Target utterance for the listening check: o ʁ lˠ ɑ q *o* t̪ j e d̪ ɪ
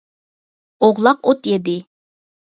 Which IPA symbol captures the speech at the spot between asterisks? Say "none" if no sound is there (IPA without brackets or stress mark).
o